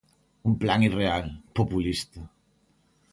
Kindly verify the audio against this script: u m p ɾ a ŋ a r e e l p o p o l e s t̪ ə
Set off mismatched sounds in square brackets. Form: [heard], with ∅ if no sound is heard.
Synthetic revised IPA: u m p [l] a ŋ [i] r e [a] l p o p [u] l [i] s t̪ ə